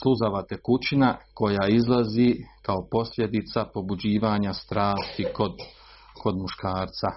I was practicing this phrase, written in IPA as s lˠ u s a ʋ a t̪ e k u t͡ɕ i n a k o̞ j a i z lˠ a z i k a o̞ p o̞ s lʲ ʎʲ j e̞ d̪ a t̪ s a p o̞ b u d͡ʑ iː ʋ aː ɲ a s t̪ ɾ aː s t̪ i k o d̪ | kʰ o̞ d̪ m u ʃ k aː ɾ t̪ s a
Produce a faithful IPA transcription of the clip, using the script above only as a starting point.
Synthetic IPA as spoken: s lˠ u z a ʋ a t̪ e k u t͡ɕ i n a k o̞ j a i z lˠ a z i k a o̞ p o̞ s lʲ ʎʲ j e̞ d̪ i t̪ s a p o̞ b u d͡ʑ iː ʋ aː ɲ a s t̪ ɾ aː s t̪ i k o d̪ | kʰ o̞ d̪ m u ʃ k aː ɾ t̪ s a